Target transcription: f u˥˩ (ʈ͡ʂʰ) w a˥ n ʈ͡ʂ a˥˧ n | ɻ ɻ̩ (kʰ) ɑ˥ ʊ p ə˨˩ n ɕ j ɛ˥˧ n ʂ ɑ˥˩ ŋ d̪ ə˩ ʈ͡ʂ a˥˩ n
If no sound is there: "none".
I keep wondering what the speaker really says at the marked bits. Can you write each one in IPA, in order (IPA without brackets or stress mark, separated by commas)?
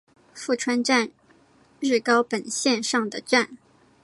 ʈ͡ʂʰ, k